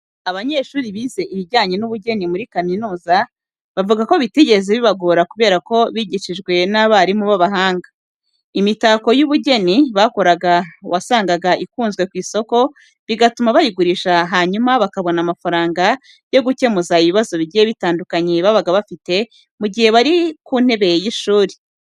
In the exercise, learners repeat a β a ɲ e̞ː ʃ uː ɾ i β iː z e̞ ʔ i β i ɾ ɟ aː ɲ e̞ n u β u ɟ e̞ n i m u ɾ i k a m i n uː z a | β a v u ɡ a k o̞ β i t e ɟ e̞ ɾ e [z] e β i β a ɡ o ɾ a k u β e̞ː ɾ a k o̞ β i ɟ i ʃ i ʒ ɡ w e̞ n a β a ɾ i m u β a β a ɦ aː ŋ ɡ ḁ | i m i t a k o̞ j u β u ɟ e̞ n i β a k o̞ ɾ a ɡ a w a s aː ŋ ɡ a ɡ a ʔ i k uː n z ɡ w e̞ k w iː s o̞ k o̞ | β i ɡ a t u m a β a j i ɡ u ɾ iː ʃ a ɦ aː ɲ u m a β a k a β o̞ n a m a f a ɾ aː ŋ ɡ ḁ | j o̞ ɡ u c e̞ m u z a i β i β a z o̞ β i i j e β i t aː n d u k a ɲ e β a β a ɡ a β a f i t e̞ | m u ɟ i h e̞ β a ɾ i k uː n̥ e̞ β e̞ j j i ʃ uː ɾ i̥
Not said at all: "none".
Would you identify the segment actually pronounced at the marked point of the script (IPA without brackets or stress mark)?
z